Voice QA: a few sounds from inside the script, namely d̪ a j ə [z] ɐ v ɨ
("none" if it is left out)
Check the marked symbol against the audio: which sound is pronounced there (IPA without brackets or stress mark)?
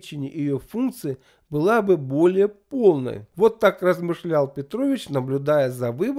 z